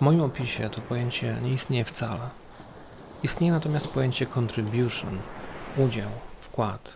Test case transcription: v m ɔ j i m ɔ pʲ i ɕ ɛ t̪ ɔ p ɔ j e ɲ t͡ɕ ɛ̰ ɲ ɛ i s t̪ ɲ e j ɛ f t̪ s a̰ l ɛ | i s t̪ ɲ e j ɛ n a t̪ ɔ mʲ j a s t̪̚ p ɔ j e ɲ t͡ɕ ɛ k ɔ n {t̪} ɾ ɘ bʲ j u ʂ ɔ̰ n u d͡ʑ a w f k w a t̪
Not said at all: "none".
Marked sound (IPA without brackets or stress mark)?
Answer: t̪